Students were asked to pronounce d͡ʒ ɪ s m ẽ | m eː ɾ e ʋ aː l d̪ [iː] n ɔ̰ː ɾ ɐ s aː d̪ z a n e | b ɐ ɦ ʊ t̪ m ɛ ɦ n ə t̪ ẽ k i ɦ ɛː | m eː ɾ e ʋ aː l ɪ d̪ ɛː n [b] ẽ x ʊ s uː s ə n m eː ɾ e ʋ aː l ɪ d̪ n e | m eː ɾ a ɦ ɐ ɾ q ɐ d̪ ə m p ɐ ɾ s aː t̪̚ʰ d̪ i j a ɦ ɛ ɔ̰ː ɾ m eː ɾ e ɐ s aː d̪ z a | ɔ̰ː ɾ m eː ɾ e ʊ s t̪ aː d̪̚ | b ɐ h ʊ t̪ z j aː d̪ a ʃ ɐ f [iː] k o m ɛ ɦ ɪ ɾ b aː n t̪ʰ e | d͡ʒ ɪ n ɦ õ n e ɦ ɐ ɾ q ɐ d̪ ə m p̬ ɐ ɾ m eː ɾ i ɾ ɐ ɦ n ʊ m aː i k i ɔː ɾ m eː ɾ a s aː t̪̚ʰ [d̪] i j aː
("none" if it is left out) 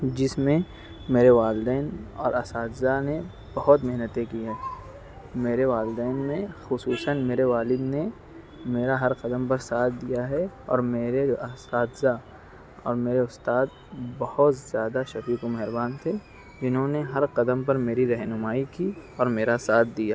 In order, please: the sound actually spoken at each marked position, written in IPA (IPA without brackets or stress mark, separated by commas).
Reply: ɛː, m, iː, d̪